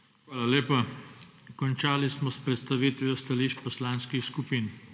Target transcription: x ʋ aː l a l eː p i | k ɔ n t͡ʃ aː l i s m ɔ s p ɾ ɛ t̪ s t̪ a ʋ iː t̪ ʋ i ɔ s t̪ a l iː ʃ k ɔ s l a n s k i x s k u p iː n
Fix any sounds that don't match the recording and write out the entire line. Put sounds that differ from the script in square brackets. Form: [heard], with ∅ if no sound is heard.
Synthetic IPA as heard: x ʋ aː l a l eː p [a] | k ɔ n t͡ʃ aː l i s m ɔ s p ɾ ɛ t̪ s t̪ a ʋ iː t̪ ʋ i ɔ s t̪ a l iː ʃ [p] ɔ s l a n s k i x s k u p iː n